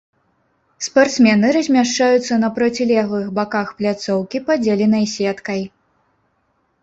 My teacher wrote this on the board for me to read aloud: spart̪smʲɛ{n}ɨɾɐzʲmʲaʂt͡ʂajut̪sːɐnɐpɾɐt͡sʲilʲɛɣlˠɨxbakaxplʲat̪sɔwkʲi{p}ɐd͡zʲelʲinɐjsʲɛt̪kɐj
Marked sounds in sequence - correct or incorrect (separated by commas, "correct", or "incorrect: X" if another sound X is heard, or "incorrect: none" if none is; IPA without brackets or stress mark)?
correct, correct